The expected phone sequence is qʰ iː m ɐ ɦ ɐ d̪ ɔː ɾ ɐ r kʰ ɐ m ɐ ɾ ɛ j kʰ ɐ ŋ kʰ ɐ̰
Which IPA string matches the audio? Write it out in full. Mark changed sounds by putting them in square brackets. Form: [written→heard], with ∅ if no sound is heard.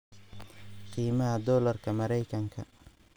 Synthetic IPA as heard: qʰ iː m ɐ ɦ ɐ d̪ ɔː [ɾ→l] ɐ r kʰ ɐ m ɐ ɾ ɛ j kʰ ɐ ŋ kʰ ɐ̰